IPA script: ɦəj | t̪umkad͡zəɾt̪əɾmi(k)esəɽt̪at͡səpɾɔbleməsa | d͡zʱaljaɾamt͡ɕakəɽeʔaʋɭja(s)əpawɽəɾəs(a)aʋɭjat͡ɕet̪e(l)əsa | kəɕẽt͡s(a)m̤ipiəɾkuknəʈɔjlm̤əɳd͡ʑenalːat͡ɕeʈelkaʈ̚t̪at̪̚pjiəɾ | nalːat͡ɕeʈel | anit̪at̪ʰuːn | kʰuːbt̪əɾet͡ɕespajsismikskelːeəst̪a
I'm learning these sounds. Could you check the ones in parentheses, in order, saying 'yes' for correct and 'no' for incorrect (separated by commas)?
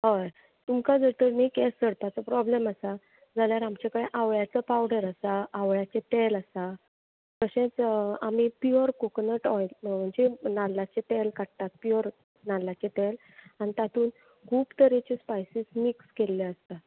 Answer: yes, no, yes, yes, yes